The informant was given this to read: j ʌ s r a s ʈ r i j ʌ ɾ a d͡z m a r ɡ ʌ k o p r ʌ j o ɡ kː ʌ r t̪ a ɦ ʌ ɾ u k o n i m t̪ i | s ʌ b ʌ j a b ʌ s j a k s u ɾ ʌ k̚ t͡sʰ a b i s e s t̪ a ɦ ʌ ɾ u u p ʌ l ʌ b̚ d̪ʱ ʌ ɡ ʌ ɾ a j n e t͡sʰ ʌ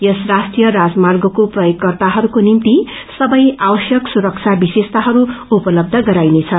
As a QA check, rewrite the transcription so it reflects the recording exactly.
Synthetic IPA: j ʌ s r a s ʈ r i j ʌ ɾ a d͡z m a r ɡ ʌ k o p r ʌ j o ɡ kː ʌ r t̪ a ɦ ʌ ɾ u k o n i m t̪ i | s ʌ b ʌ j a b ʌ s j ʌ k s u ɾ ʌ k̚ t͡sʰ a b i s e s t̪ a ɦ ʌ ɾ u u p ʌ l ʌ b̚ d̪ʱ ʌ ɡ ʌ ɾ a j n e t͡sʰ ʌ